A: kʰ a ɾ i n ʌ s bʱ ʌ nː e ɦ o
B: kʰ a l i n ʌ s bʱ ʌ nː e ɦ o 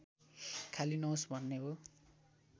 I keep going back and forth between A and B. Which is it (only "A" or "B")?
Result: B